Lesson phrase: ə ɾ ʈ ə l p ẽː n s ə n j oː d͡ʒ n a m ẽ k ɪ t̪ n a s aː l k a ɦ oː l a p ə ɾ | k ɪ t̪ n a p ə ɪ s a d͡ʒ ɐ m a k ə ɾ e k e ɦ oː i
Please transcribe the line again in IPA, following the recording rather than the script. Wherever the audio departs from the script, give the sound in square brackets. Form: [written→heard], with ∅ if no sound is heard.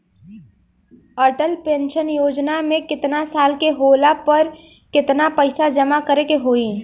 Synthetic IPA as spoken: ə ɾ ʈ ə l p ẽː n [s→ʃ] ə n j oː d͡ʒ n a m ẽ k ɪ t̪ n a s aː l k [a→e] ɦ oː l a p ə ɾ | k ɪ t̪ n a p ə ɪ s a d͡ʒ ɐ m a k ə ɾ e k e ɦ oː i